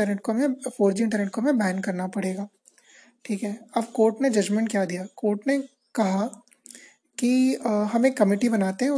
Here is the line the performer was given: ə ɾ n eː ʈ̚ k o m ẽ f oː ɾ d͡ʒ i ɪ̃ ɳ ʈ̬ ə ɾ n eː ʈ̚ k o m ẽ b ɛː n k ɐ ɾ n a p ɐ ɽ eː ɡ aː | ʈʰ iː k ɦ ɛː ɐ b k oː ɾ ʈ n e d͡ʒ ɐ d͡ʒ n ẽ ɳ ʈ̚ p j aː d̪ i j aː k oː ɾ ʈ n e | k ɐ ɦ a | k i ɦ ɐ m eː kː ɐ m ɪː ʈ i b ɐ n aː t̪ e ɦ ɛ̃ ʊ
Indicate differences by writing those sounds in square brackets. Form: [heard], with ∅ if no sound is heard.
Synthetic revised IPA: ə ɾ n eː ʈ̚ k o m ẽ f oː ɾ d͡ʒ i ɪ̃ ɳ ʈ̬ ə ɾ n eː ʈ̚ k o m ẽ b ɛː n k ɐ ɾ n a p ɐ ɽ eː ɡ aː | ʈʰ iː k ɦ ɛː ɐ b k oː ɾ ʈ n e d͡ʒ ɐ d͡ʒ [m] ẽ ɳ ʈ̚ [k] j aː d̪ i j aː k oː ɾ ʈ n e | k ɐ ɦ a | k i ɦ ɐ m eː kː ɐ m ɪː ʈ i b ɐ n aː t̪ e ɦ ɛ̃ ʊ